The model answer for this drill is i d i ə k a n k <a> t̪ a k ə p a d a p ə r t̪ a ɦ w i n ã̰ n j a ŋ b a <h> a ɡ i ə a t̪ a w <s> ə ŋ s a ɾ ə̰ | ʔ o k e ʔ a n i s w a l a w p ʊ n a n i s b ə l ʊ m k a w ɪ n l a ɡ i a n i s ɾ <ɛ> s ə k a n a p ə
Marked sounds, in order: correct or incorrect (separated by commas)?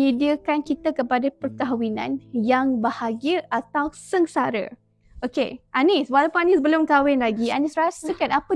incorrect, correct, correct, incorrect